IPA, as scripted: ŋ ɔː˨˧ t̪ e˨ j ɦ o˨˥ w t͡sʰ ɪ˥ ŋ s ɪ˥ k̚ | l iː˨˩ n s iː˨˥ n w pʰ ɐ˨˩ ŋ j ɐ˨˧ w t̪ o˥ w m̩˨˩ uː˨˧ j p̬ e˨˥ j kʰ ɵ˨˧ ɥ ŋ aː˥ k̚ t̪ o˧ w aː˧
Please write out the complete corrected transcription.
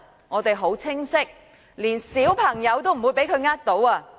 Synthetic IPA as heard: ŋ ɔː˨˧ t̪ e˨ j ɦ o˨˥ w t͡sʰ ɪ˥ ŋ s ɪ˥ k̚ | l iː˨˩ n s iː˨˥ w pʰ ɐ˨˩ ŋ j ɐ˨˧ w t̪ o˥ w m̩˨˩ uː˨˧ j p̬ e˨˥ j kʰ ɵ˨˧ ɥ ŋ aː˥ k̚ t̪ o˨˥ w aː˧